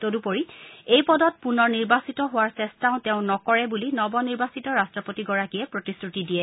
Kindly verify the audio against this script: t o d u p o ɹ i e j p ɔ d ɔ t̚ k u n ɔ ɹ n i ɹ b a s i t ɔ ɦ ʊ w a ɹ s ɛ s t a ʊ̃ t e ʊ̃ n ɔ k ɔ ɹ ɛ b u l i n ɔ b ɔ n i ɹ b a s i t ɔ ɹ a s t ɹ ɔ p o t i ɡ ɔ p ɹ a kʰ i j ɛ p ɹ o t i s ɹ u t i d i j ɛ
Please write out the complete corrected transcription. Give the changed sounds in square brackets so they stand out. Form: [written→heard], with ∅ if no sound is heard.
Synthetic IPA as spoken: t o d u p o ɹ i e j p ɔ d ɔ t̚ [k→p] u n ɔ ɹ n i ɹ b a s i t ɔ ɦ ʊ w a ɹ s ɛ s t a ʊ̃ t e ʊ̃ n ɔ k ɔ ɹ ɛ b u l i n ɔ b ɔ n i ɹ b a s i t ɔ ɹ a s t ɹ ɔ p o t i ɡ ɔ [p→∅] ɹ a [kʰ→k] i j ɛ p ɹ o t i s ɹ u t i d i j ɛ